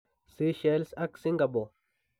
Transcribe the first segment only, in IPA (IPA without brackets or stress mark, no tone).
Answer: s